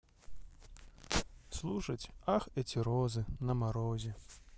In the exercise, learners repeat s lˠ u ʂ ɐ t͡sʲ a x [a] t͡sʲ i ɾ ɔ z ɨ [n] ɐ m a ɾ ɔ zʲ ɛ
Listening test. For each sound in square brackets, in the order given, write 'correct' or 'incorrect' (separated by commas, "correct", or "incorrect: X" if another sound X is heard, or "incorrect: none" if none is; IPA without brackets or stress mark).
incorrect: ɛ, correct